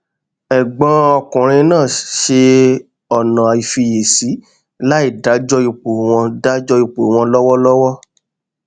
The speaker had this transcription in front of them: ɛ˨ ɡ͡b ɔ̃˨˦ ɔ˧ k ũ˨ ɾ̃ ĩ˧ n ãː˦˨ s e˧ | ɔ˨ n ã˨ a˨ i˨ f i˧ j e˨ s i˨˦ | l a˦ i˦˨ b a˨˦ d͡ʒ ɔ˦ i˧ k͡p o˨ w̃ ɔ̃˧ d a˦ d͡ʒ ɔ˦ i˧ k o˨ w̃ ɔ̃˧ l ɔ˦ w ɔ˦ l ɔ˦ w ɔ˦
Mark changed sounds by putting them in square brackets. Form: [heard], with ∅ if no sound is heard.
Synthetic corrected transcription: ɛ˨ ɡ͡b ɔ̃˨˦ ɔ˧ k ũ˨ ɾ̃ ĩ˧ n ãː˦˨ [ʃ] e˧ | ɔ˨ n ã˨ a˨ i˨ f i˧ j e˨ s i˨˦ | l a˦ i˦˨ [d] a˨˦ d͡ʒ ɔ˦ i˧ k͡p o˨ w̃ ɔ̃˧ d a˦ d͡ʒ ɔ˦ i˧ [k͡p] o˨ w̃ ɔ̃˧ l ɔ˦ w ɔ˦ l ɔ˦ w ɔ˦